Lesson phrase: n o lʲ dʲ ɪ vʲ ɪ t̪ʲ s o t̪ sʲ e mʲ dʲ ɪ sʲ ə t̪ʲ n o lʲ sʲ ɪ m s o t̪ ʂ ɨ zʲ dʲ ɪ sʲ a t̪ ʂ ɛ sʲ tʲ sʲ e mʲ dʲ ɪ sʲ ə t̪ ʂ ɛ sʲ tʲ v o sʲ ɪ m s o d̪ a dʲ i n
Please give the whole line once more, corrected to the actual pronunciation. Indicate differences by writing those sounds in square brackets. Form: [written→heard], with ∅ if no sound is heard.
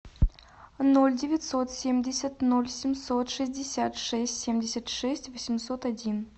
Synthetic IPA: n o lʲ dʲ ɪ vʲ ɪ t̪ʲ s o t̪ sʲ e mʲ dʲ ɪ sʲ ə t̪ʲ n o lʲ sʲ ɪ m s o t̪ ʂ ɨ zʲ dʲ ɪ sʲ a t̪ ʂ ɛ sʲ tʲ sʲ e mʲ dʲ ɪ sʲ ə t̪ ʂ ɛ sʲ tʲ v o sʲ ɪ m s o [d̪→t̪] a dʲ i n